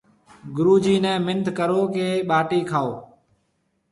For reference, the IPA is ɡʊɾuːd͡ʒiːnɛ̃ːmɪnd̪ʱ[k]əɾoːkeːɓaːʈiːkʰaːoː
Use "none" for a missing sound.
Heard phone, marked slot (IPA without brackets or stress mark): k